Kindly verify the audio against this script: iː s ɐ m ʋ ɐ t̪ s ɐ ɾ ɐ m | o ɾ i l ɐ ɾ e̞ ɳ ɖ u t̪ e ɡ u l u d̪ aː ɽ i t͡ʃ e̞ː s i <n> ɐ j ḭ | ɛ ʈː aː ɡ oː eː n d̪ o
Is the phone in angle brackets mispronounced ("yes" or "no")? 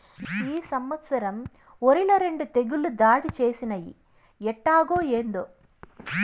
no